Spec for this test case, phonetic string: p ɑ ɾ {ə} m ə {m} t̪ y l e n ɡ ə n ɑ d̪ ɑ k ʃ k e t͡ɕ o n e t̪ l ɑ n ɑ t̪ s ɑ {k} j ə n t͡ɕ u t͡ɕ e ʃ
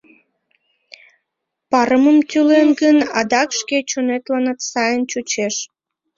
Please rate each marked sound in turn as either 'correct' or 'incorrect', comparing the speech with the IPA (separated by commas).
correct, correct, incorrect